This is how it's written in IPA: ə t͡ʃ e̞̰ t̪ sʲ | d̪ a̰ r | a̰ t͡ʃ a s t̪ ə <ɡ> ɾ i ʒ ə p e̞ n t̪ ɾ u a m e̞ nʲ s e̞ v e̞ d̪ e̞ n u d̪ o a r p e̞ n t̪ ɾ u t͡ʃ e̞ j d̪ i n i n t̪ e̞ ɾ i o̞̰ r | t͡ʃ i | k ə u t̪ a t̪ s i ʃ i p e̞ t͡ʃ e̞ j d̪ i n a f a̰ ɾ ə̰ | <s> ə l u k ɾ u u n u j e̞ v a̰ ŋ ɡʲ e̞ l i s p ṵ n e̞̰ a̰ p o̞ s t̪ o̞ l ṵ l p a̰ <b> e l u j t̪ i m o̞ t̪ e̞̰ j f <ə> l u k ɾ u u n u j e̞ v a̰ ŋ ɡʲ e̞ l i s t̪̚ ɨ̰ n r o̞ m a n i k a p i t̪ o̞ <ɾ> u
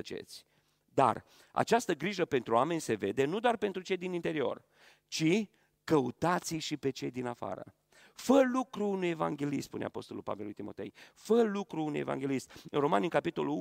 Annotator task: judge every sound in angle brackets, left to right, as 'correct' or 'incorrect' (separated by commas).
correct, incorrect, incorrect, correct, incorrect